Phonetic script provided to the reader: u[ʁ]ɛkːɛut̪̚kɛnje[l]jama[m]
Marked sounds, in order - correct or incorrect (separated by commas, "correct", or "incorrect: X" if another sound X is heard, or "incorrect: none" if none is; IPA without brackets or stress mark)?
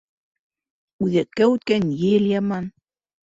incorrect: ð, correct, incorrect: n